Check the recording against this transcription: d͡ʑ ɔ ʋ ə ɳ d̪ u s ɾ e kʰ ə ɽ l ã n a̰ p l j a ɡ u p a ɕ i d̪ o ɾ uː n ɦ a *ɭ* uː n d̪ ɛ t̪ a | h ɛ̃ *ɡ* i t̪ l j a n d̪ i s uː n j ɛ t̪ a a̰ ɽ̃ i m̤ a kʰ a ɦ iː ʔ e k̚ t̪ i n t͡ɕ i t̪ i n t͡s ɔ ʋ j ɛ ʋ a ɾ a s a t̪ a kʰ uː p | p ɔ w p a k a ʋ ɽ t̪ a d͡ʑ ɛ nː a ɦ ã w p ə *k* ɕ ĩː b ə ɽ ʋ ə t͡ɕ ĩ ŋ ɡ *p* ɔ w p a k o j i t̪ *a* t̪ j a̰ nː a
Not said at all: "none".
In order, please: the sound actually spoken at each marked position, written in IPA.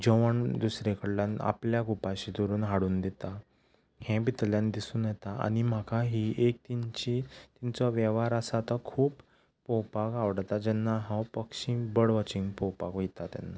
ɽ, b, k, p, a

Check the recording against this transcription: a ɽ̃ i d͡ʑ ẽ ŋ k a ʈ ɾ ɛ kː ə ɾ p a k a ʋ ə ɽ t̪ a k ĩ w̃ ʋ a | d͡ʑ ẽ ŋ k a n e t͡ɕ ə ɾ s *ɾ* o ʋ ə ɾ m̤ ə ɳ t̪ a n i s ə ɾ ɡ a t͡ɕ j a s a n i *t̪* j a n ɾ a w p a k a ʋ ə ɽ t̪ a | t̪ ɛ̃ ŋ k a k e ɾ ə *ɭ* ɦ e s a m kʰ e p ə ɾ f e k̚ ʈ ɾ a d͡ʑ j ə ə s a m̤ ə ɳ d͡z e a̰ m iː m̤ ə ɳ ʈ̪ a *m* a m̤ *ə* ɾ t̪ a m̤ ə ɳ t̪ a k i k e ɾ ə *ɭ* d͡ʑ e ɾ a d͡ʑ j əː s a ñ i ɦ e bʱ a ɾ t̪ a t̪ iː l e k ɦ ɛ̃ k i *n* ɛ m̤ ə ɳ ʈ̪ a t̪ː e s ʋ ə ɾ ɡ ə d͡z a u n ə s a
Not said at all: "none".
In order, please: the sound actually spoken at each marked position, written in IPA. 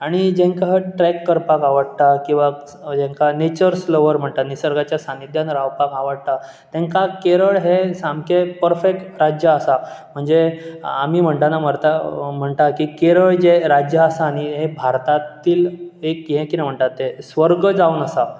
l, d̪, ɭ, n, ə, ɭ, n

